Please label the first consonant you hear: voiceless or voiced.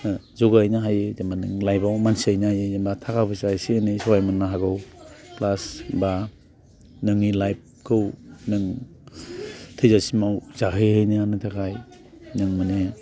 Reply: voiced